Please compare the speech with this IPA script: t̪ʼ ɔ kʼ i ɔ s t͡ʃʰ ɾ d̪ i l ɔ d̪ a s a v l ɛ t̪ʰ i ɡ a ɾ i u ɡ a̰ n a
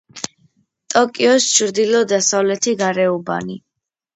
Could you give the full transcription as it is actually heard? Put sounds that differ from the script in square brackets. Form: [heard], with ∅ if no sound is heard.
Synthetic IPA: t̪ʼ ɔ kʼ i ɔ s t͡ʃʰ ɾ d̪ i l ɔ d̪ a s a v l ɛ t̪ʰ i ɡ a ɾ [ɛ] u [b] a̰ n [i]